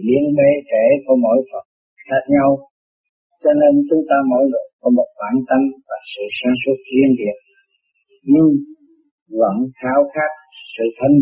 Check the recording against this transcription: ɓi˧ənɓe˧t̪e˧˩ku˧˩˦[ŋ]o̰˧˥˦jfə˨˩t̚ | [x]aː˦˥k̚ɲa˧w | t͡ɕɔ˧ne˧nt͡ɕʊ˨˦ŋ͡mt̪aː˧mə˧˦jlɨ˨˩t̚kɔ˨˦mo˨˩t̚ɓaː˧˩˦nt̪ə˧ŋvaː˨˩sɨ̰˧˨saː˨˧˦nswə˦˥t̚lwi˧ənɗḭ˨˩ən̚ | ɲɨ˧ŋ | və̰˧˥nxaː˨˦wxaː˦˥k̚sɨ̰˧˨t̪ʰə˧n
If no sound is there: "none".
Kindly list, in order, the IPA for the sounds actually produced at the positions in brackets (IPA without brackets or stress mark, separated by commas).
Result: m, x